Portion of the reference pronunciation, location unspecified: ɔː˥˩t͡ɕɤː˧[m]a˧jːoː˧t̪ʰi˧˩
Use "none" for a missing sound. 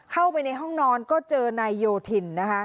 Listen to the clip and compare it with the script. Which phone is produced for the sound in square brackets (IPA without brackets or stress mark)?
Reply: n